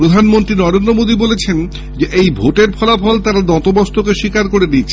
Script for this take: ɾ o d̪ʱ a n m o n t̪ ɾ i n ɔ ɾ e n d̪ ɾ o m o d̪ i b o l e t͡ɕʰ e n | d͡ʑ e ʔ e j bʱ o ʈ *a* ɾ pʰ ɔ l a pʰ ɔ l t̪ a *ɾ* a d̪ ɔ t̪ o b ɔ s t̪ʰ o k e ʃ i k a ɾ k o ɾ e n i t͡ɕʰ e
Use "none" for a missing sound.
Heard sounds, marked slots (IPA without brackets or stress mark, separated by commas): e, ɾ